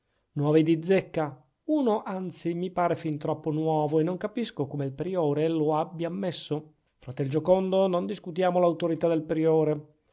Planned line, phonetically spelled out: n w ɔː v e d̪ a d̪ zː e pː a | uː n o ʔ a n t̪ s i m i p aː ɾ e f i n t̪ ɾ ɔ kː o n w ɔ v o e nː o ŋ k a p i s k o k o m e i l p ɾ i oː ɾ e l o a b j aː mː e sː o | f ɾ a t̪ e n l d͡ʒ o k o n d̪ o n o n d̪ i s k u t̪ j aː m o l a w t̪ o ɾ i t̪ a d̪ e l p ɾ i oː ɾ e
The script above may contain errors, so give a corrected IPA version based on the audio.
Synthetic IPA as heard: n w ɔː v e d̪ i d̪ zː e kː a | uː n o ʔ a n t̪ s i m i p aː ɾ e f i n t̪ ɾ ɔ pː o n w ɔː v o e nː o ŋ k a p i s k o k o m e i l p ɾ i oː ɾ e l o a b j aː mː e sː o | f ɾ a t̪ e l d͡ʒ o k o n d̪ o n o n d̪ i s k u t̪ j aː m o l a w t̪ o ɾ i t̪ a d̪ e l p ɾ i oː ɾ e